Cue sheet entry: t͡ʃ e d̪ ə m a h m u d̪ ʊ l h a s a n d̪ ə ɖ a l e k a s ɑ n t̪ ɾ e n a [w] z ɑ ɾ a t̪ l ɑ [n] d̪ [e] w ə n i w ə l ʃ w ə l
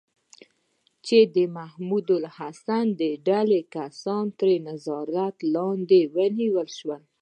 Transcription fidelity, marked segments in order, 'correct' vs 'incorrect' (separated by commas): incorrect, correct, correct